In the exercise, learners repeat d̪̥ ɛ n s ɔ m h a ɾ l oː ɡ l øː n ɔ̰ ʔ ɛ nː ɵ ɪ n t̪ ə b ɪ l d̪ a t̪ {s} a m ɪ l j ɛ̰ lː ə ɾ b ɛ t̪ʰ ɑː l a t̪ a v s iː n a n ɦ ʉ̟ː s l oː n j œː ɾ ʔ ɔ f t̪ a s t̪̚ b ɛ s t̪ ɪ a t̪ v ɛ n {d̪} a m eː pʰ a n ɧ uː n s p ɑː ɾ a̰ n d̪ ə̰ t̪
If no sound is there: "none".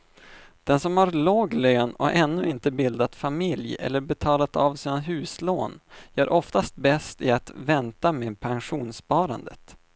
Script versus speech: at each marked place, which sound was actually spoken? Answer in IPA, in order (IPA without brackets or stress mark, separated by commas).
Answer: f, t̪